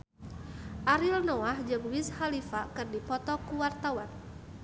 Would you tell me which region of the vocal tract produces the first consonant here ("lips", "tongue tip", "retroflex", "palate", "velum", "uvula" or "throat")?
throat